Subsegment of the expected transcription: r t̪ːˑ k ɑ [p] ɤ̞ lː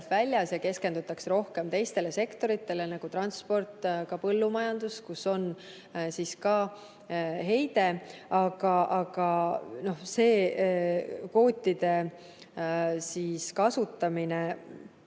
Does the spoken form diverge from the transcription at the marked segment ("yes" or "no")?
no